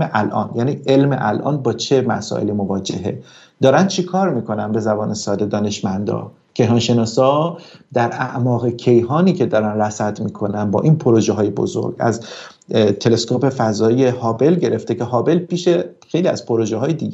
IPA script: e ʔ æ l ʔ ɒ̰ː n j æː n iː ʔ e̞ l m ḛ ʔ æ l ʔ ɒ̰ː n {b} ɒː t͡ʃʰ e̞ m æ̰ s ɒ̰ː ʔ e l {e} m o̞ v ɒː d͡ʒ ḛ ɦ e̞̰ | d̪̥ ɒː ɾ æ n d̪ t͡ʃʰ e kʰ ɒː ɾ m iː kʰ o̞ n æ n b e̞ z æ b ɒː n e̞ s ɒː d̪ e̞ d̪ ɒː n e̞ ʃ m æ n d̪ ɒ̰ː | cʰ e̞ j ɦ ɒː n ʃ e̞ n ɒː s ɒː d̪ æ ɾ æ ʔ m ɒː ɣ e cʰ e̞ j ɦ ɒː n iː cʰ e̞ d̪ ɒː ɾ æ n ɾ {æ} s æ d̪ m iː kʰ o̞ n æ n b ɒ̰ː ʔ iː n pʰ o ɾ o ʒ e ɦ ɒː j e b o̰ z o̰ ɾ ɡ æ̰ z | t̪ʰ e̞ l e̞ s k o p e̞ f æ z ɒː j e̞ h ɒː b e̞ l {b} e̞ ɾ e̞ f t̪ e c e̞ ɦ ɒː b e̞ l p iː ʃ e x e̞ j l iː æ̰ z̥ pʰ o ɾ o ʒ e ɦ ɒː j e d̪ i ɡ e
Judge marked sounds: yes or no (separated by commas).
yes, no, yes, no